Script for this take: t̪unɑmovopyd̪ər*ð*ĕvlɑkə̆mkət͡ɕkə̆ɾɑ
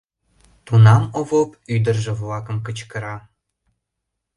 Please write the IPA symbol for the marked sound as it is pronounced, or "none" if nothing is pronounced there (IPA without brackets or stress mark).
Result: ʒ